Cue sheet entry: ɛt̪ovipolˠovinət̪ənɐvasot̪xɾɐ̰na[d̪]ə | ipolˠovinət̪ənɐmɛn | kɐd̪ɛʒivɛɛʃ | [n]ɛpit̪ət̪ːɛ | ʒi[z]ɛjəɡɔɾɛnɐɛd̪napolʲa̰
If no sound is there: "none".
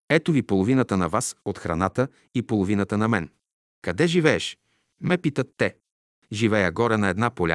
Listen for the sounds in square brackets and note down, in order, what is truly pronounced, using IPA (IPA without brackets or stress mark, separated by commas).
t̪, m, v